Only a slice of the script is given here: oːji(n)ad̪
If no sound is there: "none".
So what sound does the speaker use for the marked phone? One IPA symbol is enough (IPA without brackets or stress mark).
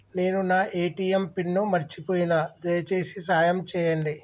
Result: n